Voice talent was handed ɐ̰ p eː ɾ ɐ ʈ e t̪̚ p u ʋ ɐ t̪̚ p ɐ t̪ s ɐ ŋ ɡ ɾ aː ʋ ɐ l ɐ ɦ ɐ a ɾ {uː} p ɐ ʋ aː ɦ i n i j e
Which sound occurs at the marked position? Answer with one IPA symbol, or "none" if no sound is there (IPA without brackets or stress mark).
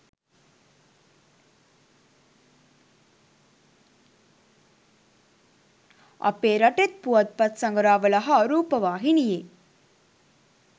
uː